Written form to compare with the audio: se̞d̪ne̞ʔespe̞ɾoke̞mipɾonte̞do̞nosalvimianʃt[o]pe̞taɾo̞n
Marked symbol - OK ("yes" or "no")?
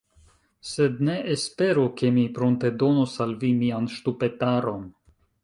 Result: no